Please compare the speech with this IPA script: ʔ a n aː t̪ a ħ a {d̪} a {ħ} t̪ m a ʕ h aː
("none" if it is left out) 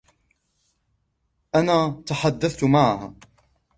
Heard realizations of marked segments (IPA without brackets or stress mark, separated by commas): d̪ː, θ